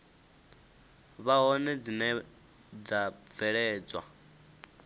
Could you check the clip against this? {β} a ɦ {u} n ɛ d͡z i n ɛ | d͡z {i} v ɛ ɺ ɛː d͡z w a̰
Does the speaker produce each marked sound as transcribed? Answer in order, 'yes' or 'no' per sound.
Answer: yes, no, no

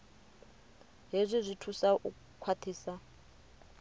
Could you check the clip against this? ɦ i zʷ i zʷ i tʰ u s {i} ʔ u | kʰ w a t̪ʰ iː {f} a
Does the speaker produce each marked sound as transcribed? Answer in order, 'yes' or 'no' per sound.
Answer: no, no

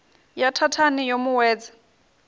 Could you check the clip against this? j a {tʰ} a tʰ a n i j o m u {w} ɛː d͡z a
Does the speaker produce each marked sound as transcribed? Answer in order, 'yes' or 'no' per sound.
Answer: yes, yes

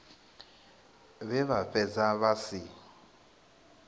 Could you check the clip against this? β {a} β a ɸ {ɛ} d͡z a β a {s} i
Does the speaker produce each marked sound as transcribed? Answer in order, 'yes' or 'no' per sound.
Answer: no, yes, yes

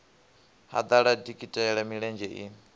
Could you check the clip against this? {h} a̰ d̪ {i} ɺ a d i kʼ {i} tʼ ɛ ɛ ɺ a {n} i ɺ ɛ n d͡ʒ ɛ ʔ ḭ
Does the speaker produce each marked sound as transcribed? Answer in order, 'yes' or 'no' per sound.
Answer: yes, no, yes, no

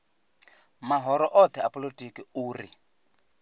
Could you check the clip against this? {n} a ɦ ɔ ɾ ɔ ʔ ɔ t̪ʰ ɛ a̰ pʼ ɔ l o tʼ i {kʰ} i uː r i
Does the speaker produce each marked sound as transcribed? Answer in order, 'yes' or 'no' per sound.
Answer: no, no

